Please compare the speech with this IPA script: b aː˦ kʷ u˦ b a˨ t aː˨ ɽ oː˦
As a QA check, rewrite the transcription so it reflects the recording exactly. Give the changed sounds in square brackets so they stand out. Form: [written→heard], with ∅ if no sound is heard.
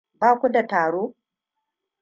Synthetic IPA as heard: b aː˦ kʷ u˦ [b→d] a˨ t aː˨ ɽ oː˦